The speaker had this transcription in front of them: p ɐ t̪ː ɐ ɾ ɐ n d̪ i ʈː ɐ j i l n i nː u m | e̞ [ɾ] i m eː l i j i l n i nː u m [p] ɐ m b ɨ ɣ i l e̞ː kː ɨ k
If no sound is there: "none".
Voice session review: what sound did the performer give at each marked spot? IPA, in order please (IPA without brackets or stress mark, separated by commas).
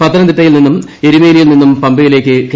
ɾ, p